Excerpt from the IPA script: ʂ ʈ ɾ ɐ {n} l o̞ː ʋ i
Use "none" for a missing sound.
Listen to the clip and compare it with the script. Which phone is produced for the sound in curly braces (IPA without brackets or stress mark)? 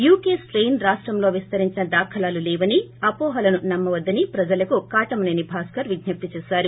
m